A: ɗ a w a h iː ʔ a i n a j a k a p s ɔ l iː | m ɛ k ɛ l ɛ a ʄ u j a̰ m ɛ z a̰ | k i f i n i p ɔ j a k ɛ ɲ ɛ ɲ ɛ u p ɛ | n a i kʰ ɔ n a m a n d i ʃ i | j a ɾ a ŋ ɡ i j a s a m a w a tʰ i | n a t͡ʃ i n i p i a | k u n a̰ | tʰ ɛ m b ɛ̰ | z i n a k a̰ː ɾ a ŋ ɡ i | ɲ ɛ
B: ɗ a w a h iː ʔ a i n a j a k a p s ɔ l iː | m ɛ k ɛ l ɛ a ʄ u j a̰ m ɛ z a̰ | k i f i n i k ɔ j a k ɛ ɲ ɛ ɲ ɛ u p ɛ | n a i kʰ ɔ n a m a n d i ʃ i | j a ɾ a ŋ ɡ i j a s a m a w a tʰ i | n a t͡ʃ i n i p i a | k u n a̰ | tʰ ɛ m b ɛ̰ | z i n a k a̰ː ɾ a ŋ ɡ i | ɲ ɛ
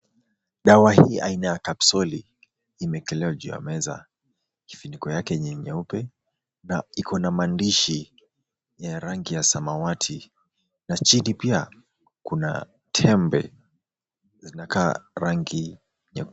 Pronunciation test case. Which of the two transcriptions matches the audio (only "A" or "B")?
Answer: B